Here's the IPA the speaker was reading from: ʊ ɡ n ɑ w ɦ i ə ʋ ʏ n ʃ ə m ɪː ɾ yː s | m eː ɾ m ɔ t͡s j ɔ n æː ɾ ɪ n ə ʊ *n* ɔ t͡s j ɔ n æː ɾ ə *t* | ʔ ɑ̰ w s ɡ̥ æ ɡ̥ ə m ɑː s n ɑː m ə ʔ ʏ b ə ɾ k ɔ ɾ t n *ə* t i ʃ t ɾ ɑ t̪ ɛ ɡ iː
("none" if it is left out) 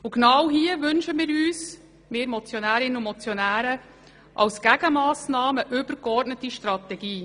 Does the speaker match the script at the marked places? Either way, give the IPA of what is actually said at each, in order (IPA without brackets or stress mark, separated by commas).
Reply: m, none, ə